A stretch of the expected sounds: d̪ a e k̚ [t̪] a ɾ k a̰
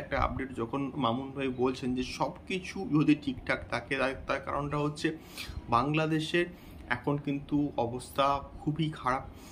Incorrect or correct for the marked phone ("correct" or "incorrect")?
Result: correct